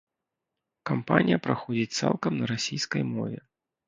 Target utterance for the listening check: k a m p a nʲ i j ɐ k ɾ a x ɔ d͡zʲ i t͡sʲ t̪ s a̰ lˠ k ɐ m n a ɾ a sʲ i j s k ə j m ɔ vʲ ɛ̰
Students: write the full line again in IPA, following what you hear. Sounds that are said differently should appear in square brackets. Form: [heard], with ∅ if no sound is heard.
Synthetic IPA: k a m p a nʲ i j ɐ [p] ɾ a x ɔ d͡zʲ i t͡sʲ t̪ s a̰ lˠ k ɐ m n [ɐ] ɾ a sʲ i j s k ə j m ɔ vʲ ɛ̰